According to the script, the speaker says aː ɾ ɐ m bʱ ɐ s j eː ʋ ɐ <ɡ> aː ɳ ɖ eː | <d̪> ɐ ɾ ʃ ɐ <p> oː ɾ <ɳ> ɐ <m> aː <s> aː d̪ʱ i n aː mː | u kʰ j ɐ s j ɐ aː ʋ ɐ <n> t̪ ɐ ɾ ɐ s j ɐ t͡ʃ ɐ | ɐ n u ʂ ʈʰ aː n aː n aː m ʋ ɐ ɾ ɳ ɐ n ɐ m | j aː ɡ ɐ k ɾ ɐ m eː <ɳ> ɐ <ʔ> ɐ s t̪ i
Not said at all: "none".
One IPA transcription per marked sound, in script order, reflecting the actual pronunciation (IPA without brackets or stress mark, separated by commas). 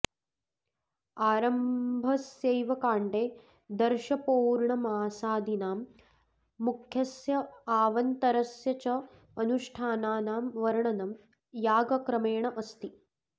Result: k, d̪, p, ɳ, m, s, n, ɳ, ʔ